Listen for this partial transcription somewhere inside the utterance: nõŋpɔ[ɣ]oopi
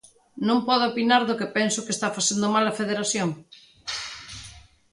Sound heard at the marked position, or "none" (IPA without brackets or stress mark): ð